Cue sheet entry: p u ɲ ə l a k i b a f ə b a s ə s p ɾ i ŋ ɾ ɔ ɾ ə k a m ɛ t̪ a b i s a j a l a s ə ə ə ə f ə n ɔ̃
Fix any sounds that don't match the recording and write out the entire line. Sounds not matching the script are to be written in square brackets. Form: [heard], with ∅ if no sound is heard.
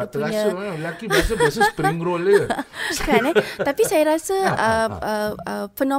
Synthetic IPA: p u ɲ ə l a k i b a [s] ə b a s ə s p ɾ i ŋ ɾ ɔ [l] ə k a [n] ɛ t̪ a [p] i s a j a [ɾ] a s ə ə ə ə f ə n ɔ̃